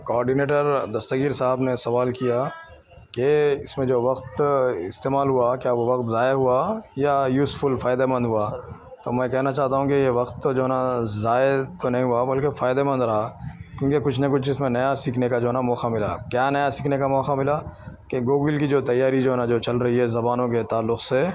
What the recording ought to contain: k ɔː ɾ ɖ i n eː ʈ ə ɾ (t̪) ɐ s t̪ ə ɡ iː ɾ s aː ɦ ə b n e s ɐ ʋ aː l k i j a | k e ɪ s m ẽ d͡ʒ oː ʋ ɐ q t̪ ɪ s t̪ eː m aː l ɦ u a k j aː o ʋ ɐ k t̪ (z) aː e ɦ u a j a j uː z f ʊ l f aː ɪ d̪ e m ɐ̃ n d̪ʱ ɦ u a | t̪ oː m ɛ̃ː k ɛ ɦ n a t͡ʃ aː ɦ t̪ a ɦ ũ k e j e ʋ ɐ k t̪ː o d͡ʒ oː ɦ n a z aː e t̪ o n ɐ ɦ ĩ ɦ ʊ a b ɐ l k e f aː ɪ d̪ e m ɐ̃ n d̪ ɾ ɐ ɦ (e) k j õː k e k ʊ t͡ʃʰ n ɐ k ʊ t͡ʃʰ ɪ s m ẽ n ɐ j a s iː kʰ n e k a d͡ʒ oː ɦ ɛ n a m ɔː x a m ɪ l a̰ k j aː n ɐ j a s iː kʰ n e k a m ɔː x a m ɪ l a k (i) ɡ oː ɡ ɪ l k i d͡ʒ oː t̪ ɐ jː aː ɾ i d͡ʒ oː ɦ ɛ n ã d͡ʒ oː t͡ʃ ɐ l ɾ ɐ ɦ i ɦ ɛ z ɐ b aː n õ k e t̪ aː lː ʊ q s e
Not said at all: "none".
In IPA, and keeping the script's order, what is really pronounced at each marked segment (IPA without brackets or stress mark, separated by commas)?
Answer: d̪, z, a, e